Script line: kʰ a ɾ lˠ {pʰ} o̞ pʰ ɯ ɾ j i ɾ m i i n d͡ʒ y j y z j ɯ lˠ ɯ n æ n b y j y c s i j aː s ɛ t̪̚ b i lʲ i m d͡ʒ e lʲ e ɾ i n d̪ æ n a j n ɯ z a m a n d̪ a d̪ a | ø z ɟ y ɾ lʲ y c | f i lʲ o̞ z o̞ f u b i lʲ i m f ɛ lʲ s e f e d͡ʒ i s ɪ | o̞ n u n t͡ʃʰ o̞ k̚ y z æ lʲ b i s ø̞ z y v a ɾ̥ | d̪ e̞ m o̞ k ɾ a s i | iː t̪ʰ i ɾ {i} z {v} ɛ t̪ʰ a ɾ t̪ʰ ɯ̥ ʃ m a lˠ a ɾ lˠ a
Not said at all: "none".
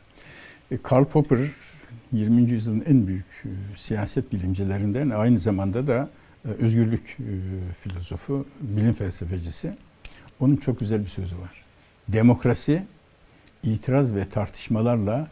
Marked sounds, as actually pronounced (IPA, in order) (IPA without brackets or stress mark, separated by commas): pʰ, a, v